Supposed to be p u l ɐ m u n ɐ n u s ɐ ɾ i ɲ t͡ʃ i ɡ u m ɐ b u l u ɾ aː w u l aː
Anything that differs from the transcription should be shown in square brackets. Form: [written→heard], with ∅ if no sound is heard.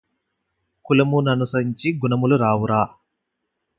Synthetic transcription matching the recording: [p→k] u l ɐ m u n ɐ n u s ɐ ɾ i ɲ t͡ʃ i ɡ u [m→n] ɐ [b→m] u l u ɾ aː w u [l→ɾ] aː